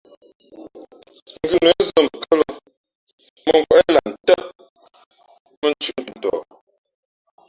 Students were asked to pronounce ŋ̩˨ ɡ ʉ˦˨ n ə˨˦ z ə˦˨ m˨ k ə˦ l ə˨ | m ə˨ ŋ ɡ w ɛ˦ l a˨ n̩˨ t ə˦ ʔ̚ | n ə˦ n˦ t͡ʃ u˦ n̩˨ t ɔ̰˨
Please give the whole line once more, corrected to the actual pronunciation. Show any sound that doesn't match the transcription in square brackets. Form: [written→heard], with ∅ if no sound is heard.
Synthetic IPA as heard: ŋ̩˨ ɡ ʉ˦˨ n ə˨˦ z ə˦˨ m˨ k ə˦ l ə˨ | m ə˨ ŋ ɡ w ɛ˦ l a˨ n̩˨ t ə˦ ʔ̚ | [n→m] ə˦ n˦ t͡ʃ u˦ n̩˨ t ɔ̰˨